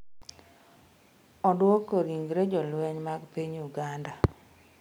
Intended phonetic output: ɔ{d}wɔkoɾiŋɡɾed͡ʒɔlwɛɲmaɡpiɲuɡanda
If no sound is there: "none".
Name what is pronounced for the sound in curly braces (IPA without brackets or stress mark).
d